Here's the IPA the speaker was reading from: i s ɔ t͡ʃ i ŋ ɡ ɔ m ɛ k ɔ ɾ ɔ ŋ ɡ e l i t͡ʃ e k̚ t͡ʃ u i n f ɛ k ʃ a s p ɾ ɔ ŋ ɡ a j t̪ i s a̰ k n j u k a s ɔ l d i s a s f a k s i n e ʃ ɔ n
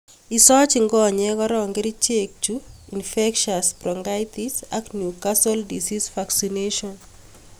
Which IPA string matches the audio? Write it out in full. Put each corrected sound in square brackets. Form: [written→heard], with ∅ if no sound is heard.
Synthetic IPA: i s ɔ t͡ʃ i ŋ ɡ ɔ [m→ɲ] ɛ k ɔ ɾ ɔ ŋ ɡ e [l→ɾ] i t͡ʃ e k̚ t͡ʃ u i n f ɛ k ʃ a s p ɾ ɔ ŋ ɡ a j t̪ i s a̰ k n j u k a s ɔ l d i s [a→i] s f a k s i n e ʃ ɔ n

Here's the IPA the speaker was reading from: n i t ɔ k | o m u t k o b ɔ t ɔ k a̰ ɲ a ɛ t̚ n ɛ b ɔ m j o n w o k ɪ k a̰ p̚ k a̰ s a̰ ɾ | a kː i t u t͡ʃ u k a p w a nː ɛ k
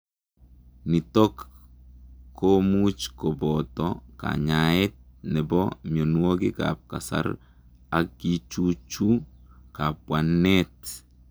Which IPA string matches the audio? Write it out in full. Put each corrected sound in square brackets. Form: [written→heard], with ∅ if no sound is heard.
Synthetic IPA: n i t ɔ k | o m u [t→t͡ʃ] k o b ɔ t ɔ k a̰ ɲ a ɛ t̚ n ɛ b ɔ m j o n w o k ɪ k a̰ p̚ k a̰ s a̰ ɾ | a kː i [t→t͡ʃ] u t͡ʃ u k a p w a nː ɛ [k→t]

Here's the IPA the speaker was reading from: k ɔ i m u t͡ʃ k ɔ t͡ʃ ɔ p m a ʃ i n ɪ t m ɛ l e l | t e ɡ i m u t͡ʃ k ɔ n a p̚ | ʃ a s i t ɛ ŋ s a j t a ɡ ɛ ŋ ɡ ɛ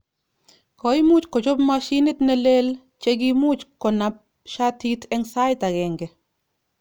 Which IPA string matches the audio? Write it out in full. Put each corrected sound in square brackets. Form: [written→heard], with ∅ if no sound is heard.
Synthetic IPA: k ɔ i m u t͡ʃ k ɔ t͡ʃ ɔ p m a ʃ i n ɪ t [m→n] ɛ l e l | [t→t͡ʃ] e ɡ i m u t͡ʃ k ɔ n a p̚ | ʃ a [s→t] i t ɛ ŋ s a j t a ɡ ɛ ŋ ɡ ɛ

